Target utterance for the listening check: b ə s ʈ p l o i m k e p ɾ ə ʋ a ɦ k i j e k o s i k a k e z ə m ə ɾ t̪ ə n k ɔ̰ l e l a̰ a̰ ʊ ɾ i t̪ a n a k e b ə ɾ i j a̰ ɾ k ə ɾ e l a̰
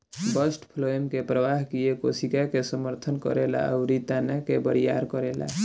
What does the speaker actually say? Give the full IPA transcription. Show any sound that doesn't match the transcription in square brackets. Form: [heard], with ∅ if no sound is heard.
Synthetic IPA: b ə s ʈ [pʰ] l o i m k e p ɾ ə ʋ a ɦ k i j e k o s i k a k e [s] ə m ə ɾ [t̪ʰ] ə n k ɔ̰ [ɾ] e l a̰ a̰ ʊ ɾ i t̪ a n a k e b ə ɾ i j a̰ ɾ k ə ɾ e l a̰

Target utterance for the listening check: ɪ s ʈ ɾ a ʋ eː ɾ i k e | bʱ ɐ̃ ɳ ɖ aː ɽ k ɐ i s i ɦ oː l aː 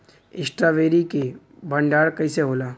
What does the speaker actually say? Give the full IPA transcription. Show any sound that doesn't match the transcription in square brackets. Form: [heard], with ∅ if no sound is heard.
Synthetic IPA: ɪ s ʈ ɾ a ʋ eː ɾ i k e | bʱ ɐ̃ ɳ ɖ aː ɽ k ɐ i s [e] ɦ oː l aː

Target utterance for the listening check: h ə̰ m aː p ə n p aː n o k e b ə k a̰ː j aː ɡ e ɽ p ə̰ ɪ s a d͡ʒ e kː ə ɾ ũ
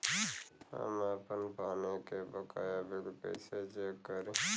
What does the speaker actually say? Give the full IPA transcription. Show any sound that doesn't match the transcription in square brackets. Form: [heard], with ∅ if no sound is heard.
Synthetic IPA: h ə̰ m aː p ə n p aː n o k e b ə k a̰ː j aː [b] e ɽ p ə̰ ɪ s [e] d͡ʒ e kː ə ɾ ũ

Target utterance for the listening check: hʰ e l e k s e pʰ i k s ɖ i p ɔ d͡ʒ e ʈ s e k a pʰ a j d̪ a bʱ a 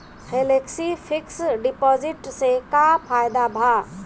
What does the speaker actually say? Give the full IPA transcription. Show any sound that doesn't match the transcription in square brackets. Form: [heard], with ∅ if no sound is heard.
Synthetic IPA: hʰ e l e k s [i] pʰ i k s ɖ i p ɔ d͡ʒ [i] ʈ s e k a pʰ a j d̪ a bʱ a

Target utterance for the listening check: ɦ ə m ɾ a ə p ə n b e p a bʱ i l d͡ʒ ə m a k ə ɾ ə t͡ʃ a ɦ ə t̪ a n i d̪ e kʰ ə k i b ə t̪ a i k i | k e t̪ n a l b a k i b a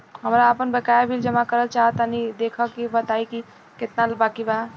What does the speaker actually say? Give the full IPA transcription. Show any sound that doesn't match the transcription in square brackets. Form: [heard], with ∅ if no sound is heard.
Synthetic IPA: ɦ ə m ɾ a ə p ə n b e [k] a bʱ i l d͡ʒ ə m a k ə ɾ ə t͡ʃ a ɦ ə t̪ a n i d̪ e kʰ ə k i b ə t̪ a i k i | k e t̪ n a l b a k i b a

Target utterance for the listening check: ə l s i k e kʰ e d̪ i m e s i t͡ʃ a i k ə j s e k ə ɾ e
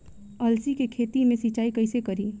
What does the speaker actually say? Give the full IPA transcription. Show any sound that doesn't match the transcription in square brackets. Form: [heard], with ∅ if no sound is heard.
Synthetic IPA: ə l s i k e kʰ e [t̪] i m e s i t͡ʃ a i k ə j s e k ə ɾ [i]

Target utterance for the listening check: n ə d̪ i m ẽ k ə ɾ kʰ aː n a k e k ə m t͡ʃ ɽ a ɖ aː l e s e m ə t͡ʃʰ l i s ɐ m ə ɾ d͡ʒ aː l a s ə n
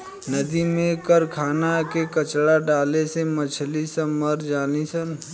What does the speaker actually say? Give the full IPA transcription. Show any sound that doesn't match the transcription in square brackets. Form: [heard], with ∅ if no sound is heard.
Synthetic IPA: n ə d̪ i m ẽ k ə ɾ kʰ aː n a k e k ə [∅] t͡ʃ ɽ a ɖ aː l e s e m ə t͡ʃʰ l i s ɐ m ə ɾ d͡ʒ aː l [i] s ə n

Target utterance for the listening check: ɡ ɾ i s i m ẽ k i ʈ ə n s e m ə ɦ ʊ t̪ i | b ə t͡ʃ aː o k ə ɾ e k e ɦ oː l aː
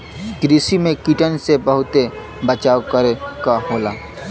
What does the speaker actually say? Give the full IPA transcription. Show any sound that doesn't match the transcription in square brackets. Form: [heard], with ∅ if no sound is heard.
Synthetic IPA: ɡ ɾ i s i m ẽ k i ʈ ə n s e [b] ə ɦ ʊ t̪ [e] | b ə t͡ʃ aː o k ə ɾ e k [a] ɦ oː l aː

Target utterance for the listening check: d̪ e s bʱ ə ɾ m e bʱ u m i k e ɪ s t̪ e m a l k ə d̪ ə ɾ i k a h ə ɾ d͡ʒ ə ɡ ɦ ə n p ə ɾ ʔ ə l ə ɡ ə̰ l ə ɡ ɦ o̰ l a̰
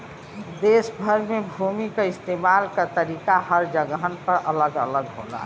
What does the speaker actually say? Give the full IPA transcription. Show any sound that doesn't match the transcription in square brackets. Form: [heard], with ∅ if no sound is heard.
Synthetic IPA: d̪ e s bʱ ə ɾ m e bʱ u m i k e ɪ s t̪ e m a l k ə [t̪] ə ɾ i k a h ə ɾ d͡ʒ ə ɡ ɦ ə n p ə ɾ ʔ ə l ə ɡ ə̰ l ə ɡ ɦ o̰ l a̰

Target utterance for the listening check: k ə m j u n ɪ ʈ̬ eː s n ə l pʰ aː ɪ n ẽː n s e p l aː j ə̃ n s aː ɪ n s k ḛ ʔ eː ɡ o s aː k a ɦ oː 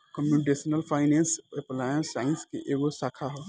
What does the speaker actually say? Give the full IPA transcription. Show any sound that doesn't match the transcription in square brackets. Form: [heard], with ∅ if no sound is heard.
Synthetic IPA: k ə m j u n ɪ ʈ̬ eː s n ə l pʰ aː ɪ n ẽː n s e p l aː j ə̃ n s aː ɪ n s k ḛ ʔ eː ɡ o s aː [kʰ] a ɦ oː

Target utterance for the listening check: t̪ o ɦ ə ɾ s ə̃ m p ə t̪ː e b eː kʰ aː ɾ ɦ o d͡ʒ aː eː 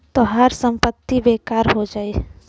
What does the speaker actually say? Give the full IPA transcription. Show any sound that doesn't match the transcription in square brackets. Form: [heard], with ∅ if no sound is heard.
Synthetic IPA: t̪ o ɦ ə ɾ s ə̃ m p ə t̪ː [i] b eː [k] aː ɾ ɦ o d͡ʒ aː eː

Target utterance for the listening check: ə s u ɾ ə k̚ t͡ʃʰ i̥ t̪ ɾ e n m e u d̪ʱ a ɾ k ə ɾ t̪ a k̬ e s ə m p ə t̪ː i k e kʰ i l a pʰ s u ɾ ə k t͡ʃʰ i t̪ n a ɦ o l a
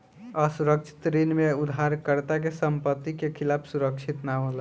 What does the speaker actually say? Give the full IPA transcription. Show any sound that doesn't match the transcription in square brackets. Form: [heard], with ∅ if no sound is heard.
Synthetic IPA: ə s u ɾ ə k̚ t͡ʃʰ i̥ t̪ ɾ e n m e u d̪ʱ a ɾ k ə ɾ t̪ a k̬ e s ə m p ə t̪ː i k e kʰ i l a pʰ s u ɾ ə k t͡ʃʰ i t̪ n a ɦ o l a

